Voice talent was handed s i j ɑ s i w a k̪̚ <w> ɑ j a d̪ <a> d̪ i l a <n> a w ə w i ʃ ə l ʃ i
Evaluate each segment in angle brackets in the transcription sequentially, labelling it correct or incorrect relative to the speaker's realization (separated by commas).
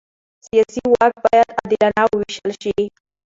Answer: incorrect, correct, correct